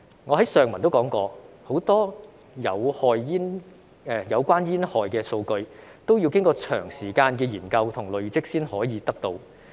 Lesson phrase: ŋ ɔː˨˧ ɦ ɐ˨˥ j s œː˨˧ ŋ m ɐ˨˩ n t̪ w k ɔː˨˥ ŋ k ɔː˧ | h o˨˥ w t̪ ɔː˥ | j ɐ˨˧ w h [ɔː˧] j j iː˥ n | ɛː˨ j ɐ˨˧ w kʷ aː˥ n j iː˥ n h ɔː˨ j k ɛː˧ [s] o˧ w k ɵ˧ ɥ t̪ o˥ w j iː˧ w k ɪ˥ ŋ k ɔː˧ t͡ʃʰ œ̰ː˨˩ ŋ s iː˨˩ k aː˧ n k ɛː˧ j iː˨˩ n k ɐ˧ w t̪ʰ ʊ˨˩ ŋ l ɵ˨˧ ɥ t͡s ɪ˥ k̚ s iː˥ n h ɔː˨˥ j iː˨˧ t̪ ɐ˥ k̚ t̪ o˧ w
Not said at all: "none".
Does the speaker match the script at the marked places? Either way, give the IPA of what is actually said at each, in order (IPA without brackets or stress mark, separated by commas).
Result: ɔː˧, s